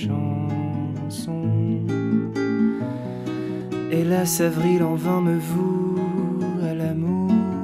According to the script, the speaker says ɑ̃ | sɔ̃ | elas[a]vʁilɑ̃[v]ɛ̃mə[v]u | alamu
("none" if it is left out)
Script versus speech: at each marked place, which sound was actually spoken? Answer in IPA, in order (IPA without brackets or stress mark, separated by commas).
a, v, v